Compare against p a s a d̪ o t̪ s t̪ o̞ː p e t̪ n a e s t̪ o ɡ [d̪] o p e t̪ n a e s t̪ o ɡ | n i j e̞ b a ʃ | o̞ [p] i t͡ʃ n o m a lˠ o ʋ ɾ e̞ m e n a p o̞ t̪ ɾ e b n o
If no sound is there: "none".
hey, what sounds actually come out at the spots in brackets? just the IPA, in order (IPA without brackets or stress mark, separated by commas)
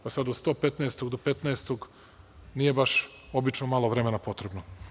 d̪, b